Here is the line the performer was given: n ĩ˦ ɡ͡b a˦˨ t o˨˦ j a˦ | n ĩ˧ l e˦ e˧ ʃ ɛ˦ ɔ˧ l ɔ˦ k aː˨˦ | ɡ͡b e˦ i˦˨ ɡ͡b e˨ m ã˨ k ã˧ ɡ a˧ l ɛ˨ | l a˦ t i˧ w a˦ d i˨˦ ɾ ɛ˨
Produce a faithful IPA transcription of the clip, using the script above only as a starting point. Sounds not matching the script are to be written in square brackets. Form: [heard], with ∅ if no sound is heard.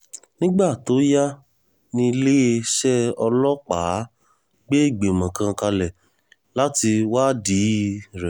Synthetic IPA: n ĩ˦ ɡ͡b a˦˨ t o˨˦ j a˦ | n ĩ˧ l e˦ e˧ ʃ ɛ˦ ɔ˧ l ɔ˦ [k͡p] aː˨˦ | ɡ͡b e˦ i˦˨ ɡ͡b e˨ m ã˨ k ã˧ [k] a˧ l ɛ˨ | l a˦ t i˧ w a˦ d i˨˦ ɾ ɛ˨